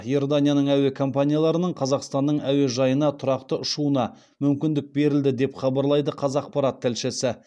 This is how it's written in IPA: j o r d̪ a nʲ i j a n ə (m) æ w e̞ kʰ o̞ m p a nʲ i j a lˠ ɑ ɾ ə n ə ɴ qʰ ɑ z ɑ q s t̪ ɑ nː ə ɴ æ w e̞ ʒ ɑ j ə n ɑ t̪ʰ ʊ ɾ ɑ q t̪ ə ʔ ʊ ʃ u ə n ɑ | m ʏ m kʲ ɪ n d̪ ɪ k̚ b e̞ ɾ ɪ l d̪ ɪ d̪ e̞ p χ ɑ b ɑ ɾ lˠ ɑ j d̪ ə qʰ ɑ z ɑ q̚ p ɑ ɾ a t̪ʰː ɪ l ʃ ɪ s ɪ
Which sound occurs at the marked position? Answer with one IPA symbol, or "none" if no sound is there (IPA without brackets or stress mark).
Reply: ɴ